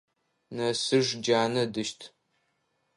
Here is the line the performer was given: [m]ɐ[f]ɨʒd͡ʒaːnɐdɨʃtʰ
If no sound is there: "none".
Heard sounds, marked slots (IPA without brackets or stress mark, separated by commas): n, s